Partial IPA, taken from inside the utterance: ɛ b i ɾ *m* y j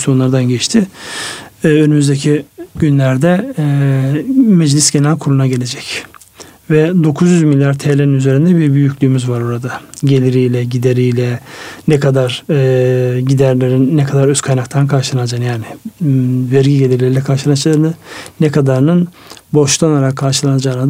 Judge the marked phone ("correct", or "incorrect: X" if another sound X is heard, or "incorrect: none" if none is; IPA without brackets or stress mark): incorrect: b